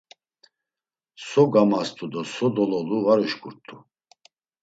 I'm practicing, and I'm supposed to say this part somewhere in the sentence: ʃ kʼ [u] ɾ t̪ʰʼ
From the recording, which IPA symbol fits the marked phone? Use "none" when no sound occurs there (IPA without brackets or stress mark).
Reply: u